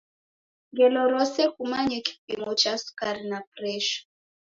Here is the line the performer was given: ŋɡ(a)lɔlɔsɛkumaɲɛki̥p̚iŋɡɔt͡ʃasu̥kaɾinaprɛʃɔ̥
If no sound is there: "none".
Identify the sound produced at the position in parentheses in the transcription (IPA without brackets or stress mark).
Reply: ɛ